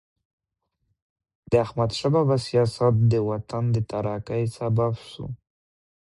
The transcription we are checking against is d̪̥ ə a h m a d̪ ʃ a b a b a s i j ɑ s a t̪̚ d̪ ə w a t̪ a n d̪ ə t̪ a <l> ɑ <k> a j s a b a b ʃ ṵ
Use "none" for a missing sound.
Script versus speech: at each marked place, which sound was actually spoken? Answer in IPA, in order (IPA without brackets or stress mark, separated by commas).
ɾ, k